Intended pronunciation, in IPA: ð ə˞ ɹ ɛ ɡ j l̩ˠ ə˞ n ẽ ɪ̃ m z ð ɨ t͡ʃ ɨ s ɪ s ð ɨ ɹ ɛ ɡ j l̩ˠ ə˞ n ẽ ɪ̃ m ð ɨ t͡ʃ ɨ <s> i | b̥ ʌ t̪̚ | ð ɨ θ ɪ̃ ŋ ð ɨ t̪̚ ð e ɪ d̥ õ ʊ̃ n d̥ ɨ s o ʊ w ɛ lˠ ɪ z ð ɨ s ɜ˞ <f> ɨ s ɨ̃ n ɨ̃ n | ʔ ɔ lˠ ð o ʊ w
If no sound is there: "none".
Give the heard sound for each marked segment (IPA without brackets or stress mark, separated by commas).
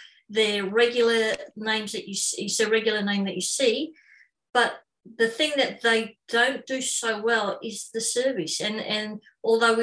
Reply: s, v